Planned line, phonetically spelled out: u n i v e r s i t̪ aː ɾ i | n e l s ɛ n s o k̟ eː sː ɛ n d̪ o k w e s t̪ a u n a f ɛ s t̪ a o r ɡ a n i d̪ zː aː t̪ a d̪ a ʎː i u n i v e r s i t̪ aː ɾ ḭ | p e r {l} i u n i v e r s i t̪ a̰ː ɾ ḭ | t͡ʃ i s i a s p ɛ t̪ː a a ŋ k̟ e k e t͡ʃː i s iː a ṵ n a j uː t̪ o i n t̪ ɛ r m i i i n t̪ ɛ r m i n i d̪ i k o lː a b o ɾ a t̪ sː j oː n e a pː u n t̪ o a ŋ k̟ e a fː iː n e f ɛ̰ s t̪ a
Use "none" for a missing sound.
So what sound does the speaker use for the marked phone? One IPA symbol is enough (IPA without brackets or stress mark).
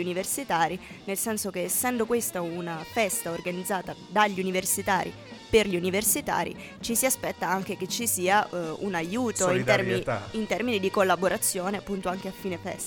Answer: ʎ